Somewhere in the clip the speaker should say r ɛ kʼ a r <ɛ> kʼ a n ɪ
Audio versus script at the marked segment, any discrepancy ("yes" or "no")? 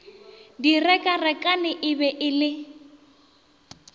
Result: no